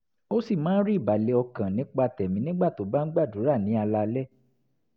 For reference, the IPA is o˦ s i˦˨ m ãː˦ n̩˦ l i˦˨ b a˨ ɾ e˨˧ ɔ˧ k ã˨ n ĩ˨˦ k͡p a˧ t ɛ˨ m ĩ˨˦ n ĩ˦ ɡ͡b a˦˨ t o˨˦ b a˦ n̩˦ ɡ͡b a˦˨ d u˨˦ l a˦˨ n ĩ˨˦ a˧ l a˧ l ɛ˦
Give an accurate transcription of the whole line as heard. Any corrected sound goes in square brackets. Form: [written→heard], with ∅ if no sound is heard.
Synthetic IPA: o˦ s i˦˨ m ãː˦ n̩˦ [l→ɾ] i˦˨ b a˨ [ɾ→l] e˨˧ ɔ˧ k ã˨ n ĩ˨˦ k͡p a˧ t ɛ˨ m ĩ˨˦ n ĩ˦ ɡ͡b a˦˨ t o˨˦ b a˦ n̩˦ ɡ͡b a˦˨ d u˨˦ [l→ɾ] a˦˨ n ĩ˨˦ a˧ l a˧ l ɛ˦